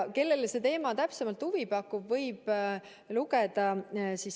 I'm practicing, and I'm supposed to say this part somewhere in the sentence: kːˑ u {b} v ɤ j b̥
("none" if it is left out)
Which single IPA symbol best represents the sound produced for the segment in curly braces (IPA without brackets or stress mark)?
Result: b